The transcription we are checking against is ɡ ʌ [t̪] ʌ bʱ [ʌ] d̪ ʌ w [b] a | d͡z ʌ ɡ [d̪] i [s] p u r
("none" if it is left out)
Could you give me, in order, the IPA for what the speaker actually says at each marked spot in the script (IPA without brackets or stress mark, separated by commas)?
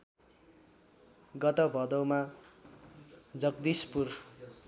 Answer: t̪, ʌ, m, d̪, s